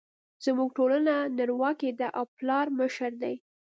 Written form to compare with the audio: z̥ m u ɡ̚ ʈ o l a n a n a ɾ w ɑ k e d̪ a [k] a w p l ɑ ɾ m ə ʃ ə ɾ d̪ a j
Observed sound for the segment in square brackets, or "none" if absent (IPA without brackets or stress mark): ʔ